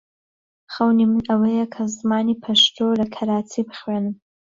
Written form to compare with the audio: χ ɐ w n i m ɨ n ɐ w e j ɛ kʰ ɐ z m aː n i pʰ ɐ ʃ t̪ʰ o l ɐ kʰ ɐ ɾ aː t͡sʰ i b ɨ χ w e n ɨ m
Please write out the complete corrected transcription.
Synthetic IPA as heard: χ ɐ w n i m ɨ n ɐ w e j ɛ kʰ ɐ z m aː n i pʰ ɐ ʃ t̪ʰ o l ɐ kʰ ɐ ɾ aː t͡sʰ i b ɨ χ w e n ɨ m

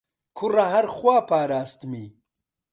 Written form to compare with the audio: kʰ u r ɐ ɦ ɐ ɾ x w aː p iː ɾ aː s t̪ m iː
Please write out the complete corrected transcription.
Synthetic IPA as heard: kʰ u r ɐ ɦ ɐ ɾ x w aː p aː ɾ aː s t̪ m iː

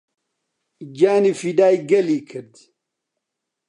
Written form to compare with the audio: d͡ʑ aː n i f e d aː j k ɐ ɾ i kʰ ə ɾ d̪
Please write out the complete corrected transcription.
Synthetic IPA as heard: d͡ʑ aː n i f i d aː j ɡ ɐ l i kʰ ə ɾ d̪

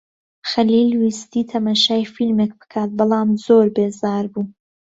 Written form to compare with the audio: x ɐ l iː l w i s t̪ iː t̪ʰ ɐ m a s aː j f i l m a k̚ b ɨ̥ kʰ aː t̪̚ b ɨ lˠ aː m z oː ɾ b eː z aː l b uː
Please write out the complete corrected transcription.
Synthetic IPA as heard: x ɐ l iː l w i s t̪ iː t̪ʰ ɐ m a ʃ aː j f i l m e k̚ b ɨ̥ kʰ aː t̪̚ b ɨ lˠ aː m z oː ɾ b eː z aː ɾ b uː

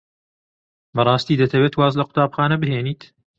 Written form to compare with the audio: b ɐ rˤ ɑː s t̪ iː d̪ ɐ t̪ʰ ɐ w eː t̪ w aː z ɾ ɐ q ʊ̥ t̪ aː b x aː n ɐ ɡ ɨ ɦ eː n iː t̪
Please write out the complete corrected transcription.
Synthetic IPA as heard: b ɐ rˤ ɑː s t̪ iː d̪ ɐ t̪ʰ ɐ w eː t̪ w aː z l ɐ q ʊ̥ t̪ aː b x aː n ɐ b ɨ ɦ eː n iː t̪

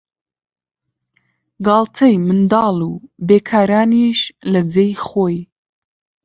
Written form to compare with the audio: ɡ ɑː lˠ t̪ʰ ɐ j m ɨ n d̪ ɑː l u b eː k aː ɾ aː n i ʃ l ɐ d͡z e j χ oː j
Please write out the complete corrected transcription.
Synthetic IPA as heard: ɡ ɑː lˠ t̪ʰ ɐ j m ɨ n d̪ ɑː l u b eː kʰ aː ɾ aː n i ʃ l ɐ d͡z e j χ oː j

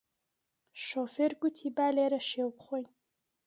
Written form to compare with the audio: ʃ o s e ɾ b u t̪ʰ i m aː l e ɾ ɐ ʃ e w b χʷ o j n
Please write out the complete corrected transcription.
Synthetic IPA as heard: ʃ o f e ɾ ɡ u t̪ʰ i b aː l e ɾ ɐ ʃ e w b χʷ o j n

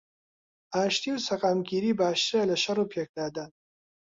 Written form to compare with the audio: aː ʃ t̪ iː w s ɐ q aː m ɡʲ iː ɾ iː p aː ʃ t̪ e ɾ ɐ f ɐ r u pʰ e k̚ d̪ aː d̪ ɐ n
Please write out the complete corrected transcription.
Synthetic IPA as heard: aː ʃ t̪ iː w s ɐ q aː m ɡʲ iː ɾ iː b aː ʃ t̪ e l ɐ ʃ ɐ r u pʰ e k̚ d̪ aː d̪ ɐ n

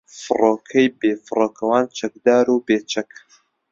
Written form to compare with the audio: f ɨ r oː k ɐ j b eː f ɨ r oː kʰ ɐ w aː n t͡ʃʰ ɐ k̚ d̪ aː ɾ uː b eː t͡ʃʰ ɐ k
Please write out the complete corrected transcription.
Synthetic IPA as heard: f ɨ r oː kʰ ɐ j b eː f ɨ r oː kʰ ɐ w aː n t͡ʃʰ ɐ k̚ d̪ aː ɾ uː b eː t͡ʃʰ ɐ k

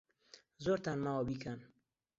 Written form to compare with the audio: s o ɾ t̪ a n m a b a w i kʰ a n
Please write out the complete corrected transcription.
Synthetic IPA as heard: z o ɾ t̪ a n m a w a b i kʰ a n

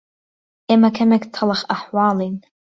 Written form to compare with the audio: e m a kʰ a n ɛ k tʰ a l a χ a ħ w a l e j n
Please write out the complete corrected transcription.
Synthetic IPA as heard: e m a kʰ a m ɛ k tʰ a l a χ a ħ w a l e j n

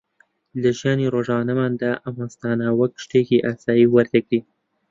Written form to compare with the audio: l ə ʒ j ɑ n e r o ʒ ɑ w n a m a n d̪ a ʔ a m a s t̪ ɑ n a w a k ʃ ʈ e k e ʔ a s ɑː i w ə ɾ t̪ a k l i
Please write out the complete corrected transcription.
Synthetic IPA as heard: l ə ʒ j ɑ n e ɾ o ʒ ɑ n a m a n d̪ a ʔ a m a s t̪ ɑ n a w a k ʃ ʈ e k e ʔ a s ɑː i w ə ɾ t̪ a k ɽ i

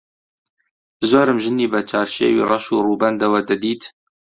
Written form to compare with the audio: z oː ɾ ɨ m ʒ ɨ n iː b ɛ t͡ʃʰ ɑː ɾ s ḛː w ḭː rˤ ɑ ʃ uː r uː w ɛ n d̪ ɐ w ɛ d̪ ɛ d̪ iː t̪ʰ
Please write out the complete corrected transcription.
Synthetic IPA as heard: z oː ɾ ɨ m ʒ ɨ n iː b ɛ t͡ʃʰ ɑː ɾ ʃ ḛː w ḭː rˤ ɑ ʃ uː r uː b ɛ n d̪ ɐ w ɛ d̪ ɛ d̪ iː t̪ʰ

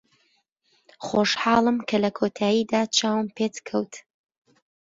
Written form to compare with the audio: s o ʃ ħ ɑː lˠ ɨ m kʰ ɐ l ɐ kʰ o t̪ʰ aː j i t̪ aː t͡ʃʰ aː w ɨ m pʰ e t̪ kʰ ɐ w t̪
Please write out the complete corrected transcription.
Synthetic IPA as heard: χ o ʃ ħ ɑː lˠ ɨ m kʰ ɐ l ɐ kʰ o t̪ʰ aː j i d̪ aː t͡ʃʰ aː w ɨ m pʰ e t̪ kʰ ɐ w t̪

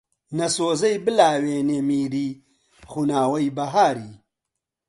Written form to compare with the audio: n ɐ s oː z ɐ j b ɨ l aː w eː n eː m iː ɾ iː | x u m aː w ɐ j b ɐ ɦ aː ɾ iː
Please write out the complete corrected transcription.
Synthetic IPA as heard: n ɐ s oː z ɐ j b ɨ l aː w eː n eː m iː ɾ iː | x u n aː w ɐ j b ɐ ɦ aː ɾ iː

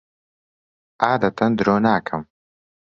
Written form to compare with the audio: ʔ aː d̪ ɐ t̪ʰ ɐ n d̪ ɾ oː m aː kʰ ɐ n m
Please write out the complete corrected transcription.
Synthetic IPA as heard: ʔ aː d̪ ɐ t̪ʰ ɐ n d̪ ɾ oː n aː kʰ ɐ m

